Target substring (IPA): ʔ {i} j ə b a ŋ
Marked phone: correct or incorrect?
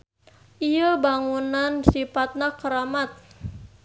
correct